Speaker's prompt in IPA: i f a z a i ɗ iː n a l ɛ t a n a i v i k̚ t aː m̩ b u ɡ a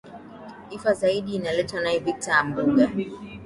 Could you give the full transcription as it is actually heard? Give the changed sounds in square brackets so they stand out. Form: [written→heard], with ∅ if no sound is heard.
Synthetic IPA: i f a z a i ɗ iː n a l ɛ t a n a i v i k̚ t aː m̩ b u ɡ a